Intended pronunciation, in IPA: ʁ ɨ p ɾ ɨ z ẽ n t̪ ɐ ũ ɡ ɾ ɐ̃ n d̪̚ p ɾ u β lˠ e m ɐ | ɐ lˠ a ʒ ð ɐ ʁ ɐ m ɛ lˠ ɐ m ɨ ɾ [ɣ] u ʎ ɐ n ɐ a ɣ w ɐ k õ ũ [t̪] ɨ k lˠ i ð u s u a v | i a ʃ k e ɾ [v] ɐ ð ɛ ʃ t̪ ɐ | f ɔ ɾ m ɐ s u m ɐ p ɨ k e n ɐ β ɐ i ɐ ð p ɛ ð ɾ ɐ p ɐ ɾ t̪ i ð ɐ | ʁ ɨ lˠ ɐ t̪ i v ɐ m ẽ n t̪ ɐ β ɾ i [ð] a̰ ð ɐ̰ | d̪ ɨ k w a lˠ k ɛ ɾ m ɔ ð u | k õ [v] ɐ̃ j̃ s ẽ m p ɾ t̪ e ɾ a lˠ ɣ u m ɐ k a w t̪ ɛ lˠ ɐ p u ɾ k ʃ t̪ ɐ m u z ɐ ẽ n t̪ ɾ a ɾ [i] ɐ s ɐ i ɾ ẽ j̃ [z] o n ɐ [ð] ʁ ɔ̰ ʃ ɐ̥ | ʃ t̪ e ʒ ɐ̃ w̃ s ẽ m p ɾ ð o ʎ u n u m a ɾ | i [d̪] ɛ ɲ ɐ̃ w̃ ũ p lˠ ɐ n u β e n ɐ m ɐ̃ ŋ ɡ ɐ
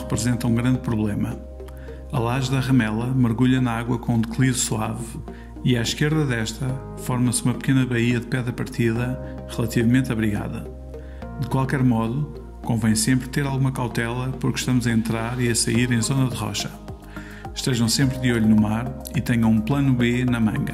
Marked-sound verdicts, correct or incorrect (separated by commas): correct, incorrect, incorrect, incorrect, correct, correct, correct, correct, incorrect